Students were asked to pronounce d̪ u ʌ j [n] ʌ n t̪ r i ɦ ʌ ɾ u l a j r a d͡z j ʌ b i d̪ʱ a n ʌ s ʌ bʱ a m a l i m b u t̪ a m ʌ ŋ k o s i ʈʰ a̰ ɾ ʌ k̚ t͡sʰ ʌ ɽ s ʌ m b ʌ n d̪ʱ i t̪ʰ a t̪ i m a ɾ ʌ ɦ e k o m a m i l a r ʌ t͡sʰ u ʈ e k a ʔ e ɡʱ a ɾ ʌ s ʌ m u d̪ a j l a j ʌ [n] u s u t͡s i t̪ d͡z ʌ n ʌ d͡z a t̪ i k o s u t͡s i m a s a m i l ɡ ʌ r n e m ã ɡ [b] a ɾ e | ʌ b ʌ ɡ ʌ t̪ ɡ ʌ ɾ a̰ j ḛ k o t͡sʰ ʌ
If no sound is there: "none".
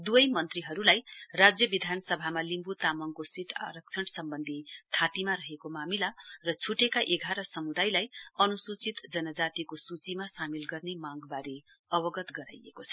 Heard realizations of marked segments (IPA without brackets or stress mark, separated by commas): m, n, b